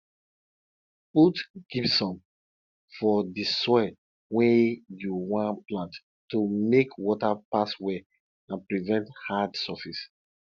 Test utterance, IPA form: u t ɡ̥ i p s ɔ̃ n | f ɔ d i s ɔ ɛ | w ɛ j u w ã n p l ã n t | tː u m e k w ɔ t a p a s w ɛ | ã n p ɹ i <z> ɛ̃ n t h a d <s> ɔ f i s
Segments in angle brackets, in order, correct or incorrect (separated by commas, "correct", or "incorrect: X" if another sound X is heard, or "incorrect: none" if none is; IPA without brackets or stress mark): incorrect: v, correct